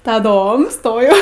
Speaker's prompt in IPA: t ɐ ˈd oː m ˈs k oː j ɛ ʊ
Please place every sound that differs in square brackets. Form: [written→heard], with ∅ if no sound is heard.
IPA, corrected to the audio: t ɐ ˈd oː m ˈs [k→t] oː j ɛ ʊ